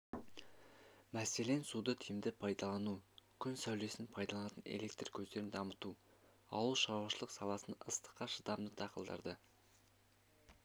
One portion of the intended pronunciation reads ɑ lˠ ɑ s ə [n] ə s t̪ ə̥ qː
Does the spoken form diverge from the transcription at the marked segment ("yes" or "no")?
no